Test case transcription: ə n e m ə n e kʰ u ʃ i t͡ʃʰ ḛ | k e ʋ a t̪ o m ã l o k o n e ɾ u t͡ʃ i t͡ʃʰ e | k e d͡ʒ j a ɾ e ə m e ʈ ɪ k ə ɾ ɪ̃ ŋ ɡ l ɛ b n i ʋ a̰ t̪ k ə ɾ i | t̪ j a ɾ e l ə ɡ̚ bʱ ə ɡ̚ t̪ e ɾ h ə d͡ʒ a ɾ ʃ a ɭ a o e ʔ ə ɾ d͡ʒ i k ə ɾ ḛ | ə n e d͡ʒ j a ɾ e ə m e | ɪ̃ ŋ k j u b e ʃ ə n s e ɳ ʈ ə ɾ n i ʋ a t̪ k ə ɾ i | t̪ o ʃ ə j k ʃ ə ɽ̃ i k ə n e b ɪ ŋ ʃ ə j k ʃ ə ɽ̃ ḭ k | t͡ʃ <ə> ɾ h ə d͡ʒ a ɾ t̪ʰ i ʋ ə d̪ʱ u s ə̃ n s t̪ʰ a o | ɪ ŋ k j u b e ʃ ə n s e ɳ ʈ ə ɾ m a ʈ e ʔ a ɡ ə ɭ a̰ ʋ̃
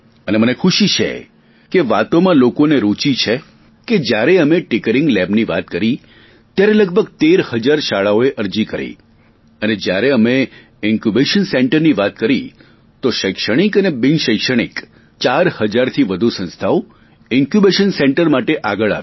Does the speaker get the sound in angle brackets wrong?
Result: yes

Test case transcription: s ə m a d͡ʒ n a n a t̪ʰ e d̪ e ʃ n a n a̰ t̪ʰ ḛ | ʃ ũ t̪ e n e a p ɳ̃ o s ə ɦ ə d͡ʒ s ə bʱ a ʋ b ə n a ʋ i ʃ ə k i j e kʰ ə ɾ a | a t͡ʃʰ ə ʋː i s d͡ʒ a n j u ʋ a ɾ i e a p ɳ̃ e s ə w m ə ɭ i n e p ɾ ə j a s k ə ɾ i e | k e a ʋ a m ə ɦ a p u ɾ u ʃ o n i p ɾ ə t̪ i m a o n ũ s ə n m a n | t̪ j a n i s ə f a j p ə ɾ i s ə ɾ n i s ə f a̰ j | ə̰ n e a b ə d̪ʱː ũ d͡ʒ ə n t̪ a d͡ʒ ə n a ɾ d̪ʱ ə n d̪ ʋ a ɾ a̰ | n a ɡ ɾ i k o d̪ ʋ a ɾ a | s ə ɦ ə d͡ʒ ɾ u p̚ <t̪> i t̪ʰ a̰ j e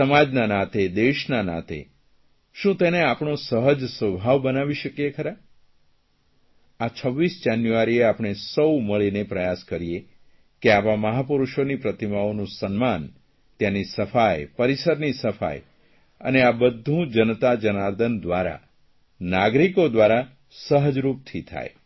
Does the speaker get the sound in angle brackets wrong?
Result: yes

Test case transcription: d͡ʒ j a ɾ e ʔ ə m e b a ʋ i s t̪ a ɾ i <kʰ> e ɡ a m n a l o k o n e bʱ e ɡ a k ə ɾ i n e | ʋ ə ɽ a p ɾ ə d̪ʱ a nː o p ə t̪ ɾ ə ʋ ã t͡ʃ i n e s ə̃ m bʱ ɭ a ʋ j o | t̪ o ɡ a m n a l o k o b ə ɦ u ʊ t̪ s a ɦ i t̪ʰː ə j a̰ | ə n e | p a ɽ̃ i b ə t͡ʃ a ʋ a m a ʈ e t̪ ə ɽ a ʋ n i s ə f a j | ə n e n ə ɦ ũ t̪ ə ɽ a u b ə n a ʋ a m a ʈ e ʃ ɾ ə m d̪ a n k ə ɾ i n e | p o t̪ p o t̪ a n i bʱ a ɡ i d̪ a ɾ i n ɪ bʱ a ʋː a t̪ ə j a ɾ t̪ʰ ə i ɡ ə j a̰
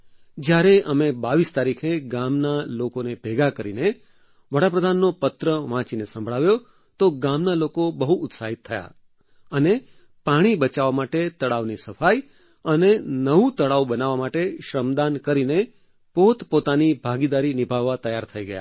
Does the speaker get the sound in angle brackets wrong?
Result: no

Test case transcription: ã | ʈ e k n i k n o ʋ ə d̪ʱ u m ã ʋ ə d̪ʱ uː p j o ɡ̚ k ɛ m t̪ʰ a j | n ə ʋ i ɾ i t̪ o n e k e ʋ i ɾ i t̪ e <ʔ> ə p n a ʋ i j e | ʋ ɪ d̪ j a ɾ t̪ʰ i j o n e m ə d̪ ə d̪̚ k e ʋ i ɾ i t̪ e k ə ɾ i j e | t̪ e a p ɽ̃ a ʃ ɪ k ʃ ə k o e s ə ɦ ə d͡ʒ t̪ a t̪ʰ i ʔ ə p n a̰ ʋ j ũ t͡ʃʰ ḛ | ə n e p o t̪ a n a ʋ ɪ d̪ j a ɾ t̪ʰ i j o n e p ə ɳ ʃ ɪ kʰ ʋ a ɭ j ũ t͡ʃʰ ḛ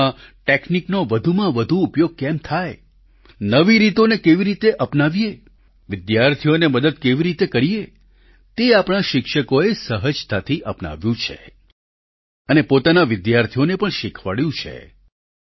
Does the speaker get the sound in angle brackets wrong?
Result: no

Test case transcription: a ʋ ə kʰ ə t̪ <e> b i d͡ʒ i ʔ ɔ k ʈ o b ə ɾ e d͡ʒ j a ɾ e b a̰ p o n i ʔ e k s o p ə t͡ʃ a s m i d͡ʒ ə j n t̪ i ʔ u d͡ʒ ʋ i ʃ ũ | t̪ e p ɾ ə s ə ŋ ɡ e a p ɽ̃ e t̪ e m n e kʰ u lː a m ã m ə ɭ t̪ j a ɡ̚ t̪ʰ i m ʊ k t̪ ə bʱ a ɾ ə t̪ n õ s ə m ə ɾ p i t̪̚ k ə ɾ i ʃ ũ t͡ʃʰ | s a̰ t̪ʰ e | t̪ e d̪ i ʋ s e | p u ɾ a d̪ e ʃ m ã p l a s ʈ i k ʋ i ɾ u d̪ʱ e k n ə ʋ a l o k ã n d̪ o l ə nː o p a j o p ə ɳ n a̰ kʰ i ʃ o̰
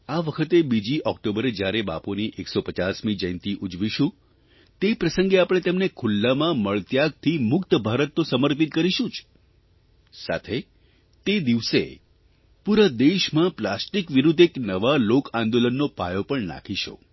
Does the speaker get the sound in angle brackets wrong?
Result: no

